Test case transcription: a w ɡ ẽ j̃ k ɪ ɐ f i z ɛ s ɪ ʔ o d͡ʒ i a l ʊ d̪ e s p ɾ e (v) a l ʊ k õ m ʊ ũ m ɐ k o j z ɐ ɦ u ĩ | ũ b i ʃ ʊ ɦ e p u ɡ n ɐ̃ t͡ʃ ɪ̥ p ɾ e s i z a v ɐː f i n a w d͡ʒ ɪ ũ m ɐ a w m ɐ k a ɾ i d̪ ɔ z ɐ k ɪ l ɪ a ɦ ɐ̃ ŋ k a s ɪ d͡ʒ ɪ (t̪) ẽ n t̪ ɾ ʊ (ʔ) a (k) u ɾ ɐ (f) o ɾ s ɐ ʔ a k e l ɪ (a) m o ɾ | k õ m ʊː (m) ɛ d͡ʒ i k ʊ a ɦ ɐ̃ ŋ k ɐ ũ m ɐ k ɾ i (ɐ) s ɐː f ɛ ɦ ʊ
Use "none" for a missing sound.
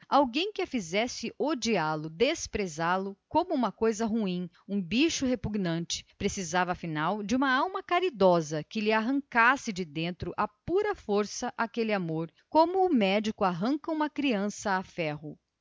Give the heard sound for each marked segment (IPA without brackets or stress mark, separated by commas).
z, d̪, ʔ, p, f, a, m, ɐ̃